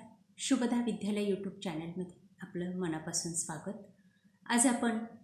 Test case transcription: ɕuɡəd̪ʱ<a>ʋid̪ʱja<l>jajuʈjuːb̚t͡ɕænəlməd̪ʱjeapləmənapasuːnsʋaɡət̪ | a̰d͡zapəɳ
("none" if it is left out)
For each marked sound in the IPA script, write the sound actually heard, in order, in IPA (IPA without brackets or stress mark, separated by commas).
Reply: a, l